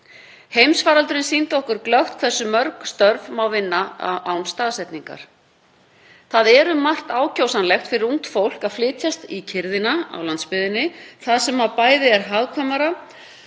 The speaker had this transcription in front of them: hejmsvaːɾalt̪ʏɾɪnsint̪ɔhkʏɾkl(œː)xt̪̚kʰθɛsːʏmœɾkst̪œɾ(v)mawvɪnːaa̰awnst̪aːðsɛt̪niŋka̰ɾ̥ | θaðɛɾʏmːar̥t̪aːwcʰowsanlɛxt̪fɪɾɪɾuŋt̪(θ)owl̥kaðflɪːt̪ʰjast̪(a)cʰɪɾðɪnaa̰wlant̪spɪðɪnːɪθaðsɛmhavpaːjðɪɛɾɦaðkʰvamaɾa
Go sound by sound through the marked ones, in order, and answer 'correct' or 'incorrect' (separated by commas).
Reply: incorrect, correct, incorrect, incorrect